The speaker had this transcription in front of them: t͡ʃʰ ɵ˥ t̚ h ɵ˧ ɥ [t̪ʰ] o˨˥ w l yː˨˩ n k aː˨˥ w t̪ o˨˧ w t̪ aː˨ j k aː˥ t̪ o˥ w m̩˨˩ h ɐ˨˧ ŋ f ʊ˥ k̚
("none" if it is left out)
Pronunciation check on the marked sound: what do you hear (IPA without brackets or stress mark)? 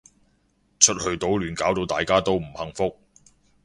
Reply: t̪